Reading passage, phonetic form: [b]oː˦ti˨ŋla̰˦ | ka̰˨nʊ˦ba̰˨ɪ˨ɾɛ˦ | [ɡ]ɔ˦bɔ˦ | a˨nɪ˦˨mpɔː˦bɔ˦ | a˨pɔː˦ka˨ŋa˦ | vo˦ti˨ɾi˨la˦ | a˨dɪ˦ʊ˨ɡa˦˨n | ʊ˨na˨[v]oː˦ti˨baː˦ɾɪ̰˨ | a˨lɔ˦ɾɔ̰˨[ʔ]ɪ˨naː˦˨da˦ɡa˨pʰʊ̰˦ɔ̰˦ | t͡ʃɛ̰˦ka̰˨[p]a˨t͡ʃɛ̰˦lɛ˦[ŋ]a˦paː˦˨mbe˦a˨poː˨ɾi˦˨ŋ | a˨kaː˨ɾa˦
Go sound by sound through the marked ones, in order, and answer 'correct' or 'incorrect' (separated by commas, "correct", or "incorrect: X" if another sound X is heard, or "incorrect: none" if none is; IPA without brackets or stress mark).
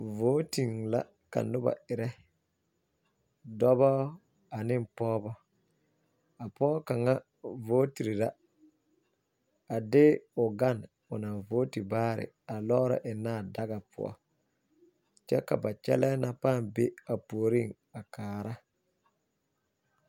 incorrect: v, incorrect: d, correct, correct, incorrect: b, incorrect: n